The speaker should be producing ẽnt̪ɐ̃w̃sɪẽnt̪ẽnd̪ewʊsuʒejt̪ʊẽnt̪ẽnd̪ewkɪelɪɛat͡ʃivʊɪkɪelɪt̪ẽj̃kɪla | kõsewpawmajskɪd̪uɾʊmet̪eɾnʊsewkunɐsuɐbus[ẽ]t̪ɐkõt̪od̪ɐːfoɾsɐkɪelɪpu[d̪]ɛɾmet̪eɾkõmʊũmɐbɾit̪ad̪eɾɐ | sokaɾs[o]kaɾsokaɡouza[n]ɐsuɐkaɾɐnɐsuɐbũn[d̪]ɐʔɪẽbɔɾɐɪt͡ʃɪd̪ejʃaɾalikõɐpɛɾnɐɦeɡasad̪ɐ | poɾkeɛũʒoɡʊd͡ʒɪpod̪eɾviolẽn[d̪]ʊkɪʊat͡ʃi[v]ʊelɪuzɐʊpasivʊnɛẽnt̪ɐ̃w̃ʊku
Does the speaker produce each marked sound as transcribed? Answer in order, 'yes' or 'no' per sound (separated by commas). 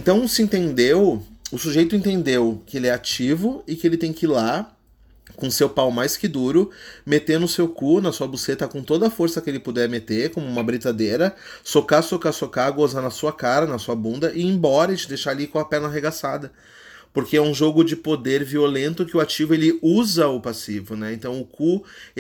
no, yes, yes, yes, yes, no, yes